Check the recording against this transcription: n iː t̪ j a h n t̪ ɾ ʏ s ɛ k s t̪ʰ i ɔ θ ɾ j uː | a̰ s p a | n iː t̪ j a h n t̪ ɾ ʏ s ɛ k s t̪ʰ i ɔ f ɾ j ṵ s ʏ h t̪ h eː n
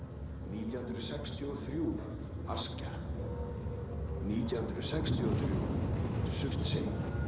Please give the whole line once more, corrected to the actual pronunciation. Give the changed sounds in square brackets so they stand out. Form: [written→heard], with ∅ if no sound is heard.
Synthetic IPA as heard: n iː t̪ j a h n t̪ ɾ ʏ s ɛ k s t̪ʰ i ɔ θ ɾ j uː | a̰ s [p→c] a | n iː t̪ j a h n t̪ ɾ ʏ s ɛ k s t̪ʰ i ɔ [f→θ] ɾ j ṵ s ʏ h t̪ [h→s] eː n